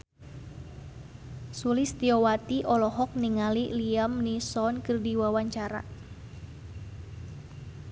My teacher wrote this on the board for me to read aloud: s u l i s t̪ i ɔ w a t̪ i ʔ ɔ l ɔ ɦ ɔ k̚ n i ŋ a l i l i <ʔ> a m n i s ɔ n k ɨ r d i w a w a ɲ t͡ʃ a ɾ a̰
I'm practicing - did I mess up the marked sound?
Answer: yes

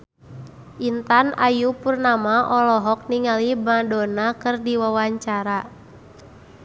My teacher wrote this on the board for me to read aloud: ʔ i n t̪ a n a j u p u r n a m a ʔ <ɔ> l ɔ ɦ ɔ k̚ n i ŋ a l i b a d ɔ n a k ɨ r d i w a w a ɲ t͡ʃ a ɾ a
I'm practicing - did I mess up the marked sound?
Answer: no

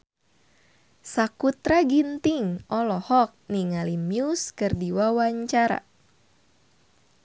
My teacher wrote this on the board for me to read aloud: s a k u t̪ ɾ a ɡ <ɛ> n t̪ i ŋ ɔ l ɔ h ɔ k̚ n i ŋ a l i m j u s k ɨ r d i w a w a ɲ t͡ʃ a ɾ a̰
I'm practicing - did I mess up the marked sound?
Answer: yes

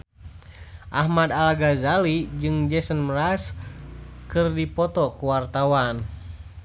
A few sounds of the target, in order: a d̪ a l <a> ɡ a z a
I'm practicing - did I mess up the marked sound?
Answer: no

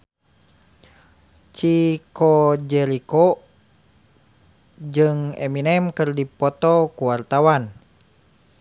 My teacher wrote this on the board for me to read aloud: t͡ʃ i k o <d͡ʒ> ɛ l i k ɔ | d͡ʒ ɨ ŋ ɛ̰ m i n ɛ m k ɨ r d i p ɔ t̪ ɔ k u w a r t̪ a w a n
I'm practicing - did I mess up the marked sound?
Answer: no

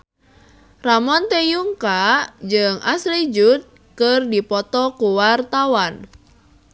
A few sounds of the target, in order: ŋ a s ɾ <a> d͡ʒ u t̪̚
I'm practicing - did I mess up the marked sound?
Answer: yes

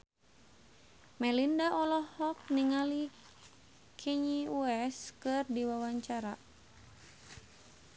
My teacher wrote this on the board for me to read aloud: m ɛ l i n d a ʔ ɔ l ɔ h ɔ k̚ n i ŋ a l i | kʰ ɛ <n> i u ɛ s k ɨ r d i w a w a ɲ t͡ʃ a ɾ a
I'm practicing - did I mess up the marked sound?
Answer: yes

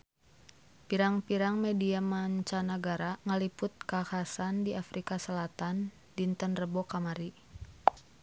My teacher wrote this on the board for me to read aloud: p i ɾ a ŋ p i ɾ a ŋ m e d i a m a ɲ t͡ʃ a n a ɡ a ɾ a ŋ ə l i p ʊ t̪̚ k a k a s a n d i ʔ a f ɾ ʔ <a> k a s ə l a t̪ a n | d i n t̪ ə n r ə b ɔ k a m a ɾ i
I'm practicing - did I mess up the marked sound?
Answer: yes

